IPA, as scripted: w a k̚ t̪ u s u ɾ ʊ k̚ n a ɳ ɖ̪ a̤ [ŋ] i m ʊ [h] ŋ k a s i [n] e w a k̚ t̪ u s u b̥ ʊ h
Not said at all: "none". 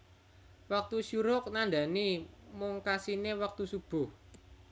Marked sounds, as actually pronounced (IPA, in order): n, none, n

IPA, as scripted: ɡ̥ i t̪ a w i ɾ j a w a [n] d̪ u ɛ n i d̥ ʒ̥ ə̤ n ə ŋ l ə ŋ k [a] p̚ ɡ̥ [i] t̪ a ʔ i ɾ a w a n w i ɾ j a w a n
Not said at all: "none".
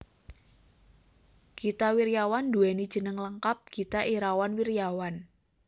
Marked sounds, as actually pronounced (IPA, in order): n, a, i

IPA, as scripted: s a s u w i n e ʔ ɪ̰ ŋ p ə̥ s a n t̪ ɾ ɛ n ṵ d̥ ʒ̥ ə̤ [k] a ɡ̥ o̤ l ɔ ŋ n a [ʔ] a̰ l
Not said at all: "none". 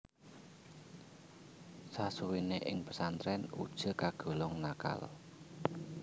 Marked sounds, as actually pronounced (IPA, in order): k, k

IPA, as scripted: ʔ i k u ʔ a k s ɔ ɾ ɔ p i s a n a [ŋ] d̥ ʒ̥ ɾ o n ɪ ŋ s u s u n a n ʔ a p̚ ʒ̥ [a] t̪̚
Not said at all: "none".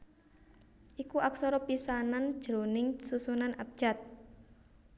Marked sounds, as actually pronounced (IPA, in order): n, a

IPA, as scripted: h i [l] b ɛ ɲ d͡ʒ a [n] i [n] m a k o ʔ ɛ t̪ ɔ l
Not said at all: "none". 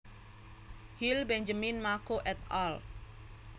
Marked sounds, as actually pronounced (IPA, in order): l, m, n

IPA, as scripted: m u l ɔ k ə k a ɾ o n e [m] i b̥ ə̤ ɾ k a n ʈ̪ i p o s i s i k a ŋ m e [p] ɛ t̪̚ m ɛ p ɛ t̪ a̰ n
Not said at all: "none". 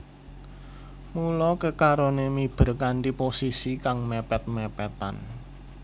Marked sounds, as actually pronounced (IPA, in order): m, p

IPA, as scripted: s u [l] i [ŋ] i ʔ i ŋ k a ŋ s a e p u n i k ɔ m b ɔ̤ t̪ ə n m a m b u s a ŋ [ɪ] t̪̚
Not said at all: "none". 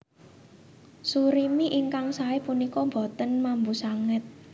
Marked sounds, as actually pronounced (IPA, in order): ɾ, m, ɪ

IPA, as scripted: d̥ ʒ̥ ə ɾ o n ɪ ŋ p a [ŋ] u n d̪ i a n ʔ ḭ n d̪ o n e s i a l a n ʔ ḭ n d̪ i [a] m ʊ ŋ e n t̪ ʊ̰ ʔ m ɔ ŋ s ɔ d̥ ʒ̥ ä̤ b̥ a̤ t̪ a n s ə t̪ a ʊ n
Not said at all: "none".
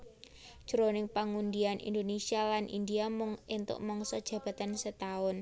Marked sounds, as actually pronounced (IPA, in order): ŋ, a

